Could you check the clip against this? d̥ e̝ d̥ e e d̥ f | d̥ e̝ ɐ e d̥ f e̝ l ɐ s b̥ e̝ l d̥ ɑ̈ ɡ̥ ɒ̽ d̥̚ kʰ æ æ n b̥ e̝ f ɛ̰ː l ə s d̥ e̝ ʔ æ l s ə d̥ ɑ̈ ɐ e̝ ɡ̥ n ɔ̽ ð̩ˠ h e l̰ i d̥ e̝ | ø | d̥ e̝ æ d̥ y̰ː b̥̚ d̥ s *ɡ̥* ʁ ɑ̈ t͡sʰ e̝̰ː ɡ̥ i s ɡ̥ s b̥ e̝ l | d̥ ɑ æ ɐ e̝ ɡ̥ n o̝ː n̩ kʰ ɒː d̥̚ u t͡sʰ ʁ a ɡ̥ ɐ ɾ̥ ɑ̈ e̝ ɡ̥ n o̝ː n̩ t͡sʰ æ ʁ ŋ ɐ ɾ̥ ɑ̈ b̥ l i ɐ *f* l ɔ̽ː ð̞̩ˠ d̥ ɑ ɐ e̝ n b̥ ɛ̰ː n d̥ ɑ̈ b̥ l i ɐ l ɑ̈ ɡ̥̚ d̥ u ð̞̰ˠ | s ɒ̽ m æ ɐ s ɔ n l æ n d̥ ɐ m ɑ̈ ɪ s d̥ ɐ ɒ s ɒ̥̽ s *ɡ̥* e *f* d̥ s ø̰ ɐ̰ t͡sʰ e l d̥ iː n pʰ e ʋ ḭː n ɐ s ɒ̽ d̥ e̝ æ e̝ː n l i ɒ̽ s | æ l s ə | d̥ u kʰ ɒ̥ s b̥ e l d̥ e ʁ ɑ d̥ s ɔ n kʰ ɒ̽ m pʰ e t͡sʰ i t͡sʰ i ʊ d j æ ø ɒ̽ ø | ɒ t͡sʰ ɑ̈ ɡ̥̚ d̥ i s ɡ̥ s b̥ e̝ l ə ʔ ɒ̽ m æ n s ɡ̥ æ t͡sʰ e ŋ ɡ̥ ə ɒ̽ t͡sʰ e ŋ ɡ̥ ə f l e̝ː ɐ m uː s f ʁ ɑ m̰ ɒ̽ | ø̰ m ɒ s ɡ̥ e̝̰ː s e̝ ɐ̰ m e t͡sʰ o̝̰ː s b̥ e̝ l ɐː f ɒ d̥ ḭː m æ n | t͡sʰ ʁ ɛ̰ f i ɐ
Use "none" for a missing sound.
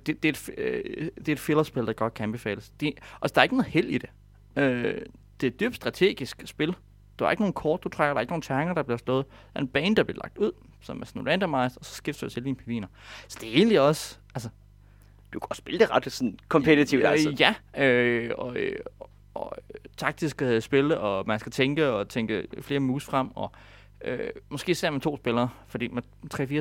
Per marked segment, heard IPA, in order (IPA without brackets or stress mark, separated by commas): d̥, s, ɡ̥, f